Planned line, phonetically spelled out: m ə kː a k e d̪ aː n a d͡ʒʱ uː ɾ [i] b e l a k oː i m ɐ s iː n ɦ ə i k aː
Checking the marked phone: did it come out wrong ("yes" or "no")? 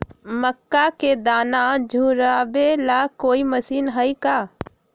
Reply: yes